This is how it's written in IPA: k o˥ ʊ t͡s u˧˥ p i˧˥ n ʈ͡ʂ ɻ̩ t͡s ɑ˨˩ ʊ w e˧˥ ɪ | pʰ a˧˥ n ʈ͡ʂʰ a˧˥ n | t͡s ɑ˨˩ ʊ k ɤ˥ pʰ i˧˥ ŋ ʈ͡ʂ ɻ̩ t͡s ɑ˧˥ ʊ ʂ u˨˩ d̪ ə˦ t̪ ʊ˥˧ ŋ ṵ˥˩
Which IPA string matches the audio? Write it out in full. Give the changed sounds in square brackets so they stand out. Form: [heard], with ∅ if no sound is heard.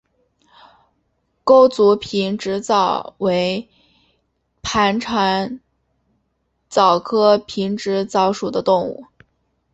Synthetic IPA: k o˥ ʊ t͡s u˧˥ [pʰ] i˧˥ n ʈ͡ʂ ɻ̩ t͡s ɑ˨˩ ʊ w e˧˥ ɪ | pʰ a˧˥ n ʈ͡ʂʰ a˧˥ n | t͡s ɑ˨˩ ʊ [kʰ] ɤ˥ pʰ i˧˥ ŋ ʈ͡ʂ ɻ̩ t͡s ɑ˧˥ ʊ ʂ u˨˩ d̪ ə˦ t̪ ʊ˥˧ ŋ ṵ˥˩